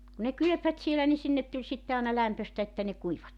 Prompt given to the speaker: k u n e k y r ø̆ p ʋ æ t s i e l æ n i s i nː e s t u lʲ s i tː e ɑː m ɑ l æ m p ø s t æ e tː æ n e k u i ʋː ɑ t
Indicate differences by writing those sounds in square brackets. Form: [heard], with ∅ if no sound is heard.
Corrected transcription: k u n e k y [l] ø̆ p ʋ æ t s i e l æ n i s i nː e [t] t u lʲ s i tː e ɑː [n] ɑ l æ m p ø s t æ e tː æ n e k u i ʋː ɑ t

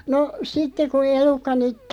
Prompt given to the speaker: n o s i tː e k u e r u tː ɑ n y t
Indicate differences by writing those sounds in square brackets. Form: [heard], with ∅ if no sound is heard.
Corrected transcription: n o s i tː e k u e [l] u [kː] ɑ n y t

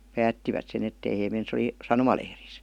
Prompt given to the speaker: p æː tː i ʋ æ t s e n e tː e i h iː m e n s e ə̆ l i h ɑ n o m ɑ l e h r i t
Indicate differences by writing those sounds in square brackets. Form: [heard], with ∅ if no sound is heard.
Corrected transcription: p æː tː i ʋ æ t s e n e tː e i h [eː] m e n s e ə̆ l i [s] ɑ n o m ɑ l e h r i [s]

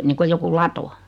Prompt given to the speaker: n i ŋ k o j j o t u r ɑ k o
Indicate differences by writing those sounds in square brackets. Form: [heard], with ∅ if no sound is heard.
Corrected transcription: n [iː] ŋ k o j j o [k] u [l] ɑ [t] o

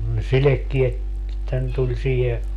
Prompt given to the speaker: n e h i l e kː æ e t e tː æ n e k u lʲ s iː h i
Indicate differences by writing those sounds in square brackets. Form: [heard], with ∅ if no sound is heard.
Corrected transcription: n e [s] i l e kː [i] e t e tː æ n e [t] u lʲ s iː h [e]

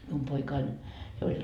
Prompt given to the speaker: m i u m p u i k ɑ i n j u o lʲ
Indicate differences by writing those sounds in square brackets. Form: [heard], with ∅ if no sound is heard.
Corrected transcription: m i u m p [o] i k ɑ i n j [o] o lʲ

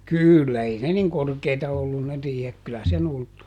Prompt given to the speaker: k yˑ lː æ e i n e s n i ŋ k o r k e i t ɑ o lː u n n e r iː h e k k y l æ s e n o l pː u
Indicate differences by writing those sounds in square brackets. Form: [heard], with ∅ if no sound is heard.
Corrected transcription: k yˑ lː æ e i n e [∅] n i ŋ k o r k e i t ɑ o lː u n n e r iː h e k k y l æ s e n [u] l [tː] u

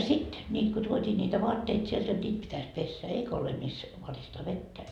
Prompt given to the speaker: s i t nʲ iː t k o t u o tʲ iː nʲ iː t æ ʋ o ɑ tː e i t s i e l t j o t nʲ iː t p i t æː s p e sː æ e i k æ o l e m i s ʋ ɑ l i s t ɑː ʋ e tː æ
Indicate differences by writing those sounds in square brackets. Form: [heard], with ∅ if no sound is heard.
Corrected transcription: s i t nʲ iː t k o t u o tʲ iː nʲ iː t æ ʋ o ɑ tː e i t s i e l t j o t nʲ iː t p i t [æ] s p e sː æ e i k æ o l e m i s ʋ ɑ [r] i s t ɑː ʋ e tː æ

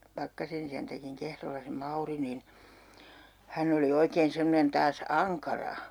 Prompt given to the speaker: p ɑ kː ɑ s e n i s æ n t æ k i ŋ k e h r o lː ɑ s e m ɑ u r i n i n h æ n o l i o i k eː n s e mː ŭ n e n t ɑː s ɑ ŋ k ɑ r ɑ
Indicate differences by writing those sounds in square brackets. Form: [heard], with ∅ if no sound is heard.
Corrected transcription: p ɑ kː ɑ s e n i s æ n t æ k i ŋ k e h r o lː ɑ s e m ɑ u r i n i n h æ n o l i o i k eː n s e mː [ŏ] n e n t ɑː s ɑ ŋ k ɑ r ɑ

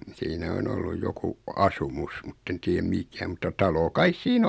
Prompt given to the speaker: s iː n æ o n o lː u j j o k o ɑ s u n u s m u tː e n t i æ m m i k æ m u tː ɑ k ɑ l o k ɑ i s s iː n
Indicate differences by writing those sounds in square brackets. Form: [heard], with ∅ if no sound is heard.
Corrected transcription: s iː n æ o n o lː u j j o k [u] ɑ s u [m] u s m u tː e n t [iː] æ m m i k æ m u tː ɑ [t] ɑ l o k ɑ i s s iː n

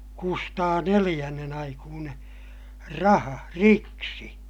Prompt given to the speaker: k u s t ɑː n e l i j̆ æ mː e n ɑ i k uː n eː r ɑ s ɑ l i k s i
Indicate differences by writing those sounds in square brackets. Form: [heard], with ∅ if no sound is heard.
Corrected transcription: k u s t ɑː n e l i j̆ æ [nː] e n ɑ i k uː n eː r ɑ [h] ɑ [r] i k s i

